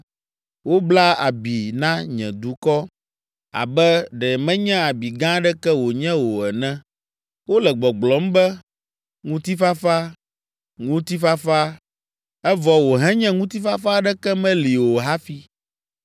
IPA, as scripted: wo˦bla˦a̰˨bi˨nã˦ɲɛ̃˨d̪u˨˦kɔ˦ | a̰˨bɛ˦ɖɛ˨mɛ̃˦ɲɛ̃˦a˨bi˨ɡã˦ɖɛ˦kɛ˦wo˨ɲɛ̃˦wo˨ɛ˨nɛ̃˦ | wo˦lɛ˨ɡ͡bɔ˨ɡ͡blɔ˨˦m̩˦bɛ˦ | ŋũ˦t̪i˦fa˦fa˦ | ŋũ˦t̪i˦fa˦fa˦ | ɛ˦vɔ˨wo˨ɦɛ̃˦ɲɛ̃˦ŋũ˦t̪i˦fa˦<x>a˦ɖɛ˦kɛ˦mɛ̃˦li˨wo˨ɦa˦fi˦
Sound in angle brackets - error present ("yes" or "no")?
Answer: yes